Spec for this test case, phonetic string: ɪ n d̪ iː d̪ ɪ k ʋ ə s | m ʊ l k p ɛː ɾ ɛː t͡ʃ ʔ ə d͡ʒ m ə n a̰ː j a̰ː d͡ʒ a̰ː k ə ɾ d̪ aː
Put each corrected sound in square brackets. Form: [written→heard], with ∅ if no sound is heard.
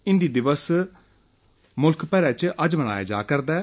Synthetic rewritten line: ɪ n d̪ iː d̪ ɪ [k→∅] ʋ ə s | m ʊ l k p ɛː ɾ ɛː t͡ʃ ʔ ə d͡ʒ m ə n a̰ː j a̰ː d͡ʒ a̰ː k ə ɾ d̪ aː